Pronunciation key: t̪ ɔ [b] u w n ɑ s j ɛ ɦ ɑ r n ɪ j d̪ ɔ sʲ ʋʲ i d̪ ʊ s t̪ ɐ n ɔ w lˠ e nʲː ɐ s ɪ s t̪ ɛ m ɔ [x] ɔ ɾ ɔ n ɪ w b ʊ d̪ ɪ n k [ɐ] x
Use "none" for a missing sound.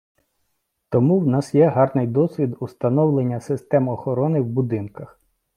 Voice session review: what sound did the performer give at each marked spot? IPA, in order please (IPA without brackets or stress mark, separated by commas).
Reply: m, x, ɐ